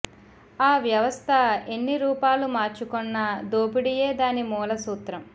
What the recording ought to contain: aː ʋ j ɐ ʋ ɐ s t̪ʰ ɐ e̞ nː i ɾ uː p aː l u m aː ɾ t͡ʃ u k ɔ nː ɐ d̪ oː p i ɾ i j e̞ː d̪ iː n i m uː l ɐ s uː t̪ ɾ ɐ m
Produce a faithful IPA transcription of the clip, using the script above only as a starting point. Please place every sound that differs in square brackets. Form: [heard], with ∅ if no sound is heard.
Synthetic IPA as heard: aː ʋ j ɐ ʋ ɐ s t̪ʰ ɐ e̞ nː i ɾ uː p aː l u m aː ɾ t͡ʃ u k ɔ nː ɐ d̪ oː p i [ɽ] i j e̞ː d̪ [aː] n i m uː l ɐ s uː t̪ ɾ ɐ m